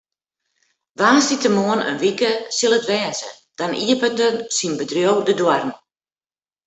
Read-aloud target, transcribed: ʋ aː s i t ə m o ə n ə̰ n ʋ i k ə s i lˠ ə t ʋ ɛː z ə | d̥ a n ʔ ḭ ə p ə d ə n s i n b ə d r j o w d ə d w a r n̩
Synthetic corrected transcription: ʋ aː s i t ə m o ə n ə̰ n ʋ i k ə s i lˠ ə t ʋ ɛː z ə | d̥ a n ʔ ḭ ə p ə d ə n s i n b ə d r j o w d ə d w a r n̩